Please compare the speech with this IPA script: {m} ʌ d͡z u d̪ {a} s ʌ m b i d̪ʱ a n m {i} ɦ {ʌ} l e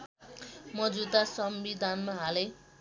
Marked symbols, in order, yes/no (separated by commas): yes, yes, no, no